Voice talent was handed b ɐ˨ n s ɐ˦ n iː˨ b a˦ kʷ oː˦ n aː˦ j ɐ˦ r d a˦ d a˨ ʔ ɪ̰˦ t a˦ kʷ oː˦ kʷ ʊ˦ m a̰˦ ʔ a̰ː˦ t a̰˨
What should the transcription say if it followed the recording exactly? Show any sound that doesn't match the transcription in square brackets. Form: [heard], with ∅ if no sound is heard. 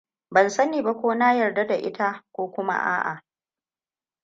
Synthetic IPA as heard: b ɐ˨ n s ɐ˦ n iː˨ b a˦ kʷ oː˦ n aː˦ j [ɐ˨] r d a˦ d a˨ ʔ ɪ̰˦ t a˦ kʷ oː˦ kʷ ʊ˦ m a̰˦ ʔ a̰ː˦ [ʔ] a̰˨